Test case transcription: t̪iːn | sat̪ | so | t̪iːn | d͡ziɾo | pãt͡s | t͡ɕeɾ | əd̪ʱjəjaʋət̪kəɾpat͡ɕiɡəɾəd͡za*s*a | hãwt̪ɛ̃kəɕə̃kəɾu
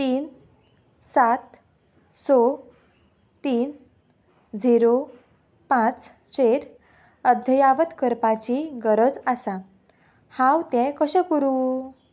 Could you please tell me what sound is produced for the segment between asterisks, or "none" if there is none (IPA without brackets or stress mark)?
s